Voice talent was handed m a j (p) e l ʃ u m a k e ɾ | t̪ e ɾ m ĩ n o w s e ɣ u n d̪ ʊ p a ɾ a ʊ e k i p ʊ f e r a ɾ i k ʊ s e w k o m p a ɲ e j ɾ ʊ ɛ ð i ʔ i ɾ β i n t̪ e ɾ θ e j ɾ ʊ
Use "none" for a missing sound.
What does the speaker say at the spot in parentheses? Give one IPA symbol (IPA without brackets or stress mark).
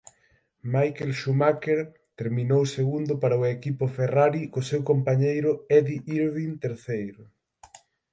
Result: k